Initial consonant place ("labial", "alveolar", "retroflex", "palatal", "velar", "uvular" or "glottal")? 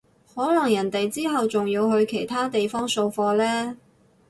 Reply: glottal